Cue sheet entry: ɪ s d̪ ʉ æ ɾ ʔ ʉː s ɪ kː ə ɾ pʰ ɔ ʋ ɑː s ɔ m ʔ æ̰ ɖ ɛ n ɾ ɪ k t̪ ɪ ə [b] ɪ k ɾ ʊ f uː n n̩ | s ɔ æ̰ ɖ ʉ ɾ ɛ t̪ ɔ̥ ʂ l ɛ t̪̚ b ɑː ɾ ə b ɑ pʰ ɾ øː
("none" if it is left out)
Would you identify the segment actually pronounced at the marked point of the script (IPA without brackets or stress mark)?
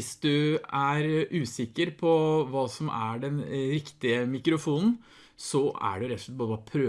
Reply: m